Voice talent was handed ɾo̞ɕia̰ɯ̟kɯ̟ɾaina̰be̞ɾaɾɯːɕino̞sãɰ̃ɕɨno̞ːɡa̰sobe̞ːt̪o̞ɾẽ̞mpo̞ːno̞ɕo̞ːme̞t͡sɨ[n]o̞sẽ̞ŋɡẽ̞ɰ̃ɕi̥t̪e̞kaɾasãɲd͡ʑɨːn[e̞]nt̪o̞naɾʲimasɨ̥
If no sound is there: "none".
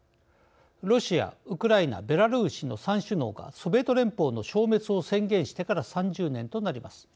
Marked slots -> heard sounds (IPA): none, ẽ̞

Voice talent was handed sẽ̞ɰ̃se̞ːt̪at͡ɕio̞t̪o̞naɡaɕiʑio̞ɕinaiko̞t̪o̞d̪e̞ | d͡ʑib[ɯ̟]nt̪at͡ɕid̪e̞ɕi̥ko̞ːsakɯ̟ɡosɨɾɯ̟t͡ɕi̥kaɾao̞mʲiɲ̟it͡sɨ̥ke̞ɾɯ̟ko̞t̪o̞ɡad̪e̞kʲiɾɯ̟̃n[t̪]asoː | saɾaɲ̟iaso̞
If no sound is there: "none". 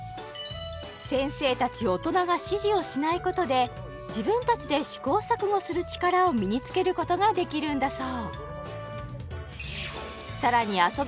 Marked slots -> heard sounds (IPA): ɯ̟̃, d̪

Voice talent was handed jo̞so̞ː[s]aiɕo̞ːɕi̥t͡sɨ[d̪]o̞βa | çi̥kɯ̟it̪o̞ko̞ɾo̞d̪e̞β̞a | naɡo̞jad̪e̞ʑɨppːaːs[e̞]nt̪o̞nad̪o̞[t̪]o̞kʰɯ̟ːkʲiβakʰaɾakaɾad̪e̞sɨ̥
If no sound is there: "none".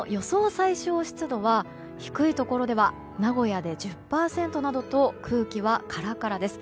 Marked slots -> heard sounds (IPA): s, d̪, ẽ̞, t̪

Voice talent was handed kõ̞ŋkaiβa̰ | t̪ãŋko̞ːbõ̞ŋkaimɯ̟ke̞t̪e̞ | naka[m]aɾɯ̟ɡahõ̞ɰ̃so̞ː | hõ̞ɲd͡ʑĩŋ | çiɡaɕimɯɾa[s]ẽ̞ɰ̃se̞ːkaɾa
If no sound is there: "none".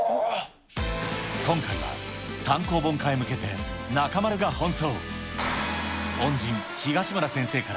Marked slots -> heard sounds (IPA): m, s

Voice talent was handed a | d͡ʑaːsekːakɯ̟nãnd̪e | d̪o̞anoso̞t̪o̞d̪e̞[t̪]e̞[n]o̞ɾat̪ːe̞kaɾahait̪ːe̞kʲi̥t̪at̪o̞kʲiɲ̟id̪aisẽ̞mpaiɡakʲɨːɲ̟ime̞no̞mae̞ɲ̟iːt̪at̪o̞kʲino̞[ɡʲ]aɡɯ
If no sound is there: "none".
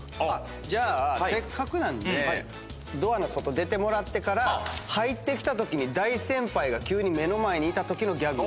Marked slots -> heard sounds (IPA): t̪, m, ɡʲ

